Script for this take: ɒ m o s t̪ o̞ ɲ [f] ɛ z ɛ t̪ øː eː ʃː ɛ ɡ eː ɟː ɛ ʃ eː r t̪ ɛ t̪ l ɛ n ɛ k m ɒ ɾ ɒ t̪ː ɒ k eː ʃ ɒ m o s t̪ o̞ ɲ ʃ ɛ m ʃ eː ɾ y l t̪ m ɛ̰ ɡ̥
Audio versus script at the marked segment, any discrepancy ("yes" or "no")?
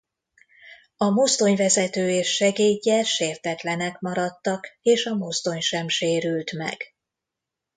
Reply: yes